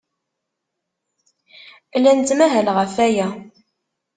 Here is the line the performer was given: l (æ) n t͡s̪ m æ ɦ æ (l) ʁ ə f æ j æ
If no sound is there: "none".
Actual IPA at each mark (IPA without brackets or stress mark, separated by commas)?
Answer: æ, l